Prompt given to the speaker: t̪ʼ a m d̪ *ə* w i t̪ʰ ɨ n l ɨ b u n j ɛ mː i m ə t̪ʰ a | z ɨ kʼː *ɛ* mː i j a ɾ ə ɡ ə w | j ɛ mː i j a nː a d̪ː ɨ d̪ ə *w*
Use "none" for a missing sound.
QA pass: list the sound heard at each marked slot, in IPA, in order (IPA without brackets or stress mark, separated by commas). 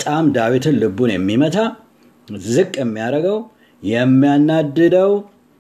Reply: a, ɛ, w